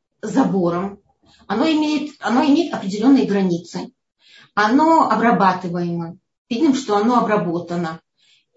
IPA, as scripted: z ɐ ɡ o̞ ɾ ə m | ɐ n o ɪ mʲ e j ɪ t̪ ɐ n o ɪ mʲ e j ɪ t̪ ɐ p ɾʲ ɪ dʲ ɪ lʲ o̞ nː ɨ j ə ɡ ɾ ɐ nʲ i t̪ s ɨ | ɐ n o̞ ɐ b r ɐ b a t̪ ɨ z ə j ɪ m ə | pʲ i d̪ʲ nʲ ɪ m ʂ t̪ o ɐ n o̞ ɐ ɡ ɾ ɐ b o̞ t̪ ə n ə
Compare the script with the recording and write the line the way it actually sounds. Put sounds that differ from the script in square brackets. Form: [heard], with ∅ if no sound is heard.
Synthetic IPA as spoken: z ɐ [b] o̞ ɾ ə m | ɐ n o ɪ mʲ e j ɪ t̪ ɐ n o ɪ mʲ e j ɪ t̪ ɐ p ɾʲ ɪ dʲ ɪ lʲ o̞ nː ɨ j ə ɡ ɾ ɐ nʲ i t̪ s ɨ | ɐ n o̞ ɐ b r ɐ b a t̪ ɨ [v] ə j ɪ m ə | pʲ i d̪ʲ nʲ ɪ m ʂ t̪ o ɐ n o̞ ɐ [b] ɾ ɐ b o̞ t̪ ə n ə